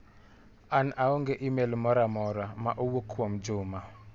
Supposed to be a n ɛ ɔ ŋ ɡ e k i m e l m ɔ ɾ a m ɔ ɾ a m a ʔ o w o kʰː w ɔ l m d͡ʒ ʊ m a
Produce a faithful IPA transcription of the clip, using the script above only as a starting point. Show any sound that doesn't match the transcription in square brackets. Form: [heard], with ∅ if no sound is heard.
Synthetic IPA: a n [a] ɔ ŋ ɡ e [ʔ] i m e l m ɔ ɾ a m ɔ ɾ a m a ʔ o w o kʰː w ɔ [∅] m d͡ʒ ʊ m a